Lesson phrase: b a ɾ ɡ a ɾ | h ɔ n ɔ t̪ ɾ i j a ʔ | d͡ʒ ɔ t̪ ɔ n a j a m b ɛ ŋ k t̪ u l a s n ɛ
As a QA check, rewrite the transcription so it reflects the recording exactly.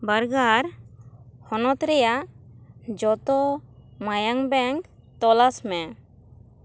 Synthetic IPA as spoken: b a ɾ ɡ a ɾ | h ɔ n ɔ t̪ ɾ ɛ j a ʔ | d͡ʒ ɔ t̪ ɔ m a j a ŋ b ɛ ŋ k t̪ ɔ l a s m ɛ